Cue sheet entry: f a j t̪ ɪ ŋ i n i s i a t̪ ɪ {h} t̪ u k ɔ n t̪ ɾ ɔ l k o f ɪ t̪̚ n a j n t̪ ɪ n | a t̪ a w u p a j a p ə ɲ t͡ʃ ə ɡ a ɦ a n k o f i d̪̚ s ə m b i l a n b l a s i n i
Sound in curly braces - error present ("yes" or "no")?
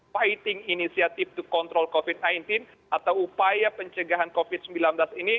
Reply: yes